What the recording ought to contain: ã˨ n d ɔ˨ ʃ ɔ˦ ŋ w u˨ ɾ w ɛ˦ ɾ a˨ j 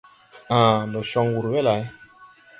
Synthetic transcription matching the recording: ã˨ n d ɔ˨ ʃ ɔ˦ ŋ w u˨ ɾ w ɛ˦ l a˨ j

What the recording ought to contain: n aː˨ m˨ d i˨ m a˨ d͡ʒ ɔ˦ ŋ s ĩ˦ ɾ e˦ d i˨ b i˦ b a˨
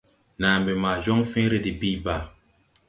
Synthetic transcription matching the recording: n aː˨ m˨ b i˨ m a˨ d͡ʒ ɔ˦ ŋ f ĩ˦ ɾ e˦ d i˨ b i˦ b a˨

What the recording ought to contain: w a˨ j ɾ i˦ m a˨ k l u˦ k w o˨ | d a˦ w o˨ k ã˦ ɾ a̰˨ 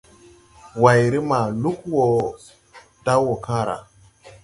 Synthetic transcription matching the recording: w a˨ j ɾ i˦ m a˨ l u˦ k w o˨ | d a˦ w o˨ k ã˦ ɾ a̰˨

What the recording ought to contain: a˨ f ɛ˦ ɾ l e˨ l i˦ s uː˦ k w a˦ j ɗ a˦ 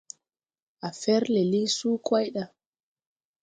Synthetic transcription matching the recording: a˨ f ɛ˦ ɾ l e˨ l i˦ s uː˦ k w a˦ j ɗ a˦

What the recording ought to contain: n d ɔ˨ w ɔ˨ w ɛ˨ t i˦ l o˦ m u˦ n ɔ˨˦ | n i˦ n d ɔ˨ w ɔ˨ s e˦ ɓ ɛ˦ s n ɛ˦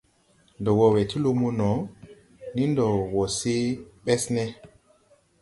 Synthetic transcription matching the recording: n d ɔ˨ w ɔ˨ w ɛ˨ t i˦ l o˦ m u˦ n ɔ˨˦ | n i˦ n d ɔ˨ w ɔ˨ s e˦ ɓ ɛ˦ s n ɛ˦

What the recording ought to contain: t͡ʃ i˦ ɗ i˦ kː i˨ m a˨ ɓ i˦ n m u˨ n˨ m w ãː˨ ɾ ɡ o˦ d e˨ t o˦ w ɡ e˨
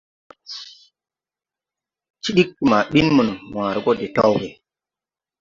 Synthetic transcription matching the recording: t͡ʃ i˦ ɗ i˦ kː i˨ m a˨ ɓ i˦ n m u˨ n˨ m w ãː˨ ɾ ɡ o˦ d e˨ t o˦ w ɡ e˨

